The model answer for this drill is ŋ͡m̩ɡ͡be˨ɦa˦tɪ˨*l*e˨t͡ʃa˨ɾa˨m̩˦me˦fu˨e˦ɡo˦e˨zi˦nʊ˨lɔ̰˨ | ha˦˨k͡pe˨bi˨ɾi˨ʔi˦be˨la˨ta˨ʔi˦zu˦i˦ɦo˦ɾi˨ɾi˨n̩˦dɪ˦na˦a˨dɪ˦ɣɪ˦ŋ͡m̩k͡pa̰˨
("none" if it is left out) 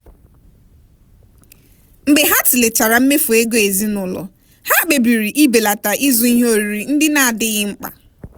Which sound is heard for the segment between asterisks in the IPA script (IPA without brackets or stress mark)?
l